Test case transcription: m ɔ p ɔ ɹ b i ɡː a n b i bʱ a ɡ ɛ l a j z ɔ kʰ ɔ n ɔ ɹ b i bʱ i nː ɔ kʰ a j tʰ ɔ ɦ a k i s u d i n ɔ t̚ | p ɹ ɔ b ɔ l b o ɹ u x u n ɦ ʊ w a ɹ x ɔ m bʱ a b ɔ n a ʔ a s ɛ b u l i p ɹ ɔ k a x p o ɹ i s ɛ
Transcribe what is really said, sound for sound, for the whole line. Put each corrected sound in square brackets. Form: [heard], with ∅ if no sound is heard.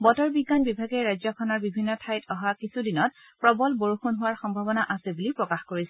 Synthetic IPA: [b] ɔ [t] ɔ ɹ b i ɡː a n b i bʱ a ɡ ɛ [ɹ] a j z ɔ kʰ ɔ n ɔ ɹ b i bʱ i nː ɔ [tʰ] a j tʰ ɔ ɦ a k i s u d i n ɔ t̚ | p ɹ ɔ b ɔ l b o ɹ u x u n ɦ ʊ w a ɹ x ɔ m bʱ a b ɔ n a ʔ a s ɛ b u l i p ɹ ɔ k a x [k] o ɹ i s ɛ